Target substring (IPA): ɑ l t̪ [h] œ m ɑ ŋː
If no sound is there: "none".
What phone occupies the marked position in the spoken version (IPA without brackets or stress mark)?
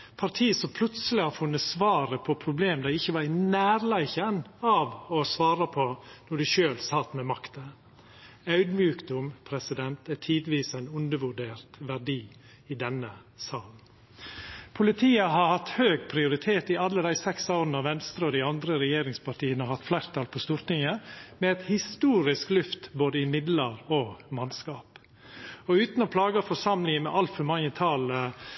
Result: f